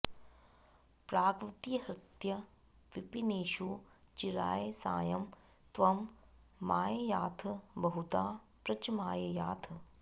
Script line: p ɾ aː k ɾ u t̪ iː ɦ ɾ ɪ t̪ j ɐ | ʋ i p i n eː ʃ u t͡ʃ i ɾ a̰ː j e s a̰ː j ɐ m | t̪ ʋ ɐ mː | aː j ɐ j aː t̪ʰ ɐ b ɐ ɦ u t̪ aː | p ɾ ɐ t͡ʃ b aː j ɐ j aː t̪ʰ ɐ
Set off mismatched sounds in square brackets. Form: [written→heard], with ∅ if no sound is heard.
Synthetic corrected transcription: p ɾ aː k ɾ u t̪ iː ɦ ɾ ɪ t̪ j ɐ | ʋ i p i n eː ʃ u t͡ʃ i ɾ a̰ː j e s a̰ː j ɐ m | t̪ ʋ ɐ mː | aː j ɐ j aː t̪ʰ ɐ b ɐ ɦ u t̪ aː | p ɾ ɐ t͡ʃ [b→m] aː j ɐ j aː t̪ʰ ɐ